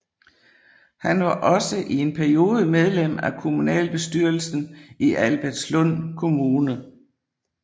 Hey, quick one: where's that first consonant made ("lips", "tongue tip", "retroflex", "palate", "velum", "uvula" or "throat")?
throat